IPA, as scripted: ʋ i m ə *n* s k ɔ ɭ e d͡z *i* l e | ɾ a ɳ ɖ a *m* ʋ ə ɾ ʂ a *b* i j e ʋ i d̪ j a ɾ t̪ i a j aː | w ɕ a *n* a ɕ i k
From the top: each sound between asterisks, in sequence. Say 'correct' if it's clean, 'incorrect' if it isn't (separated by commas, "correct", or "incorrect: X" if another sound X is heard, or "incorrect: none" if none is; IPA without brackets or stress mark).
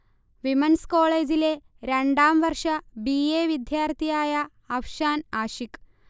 correct, correct, correct, correct, correct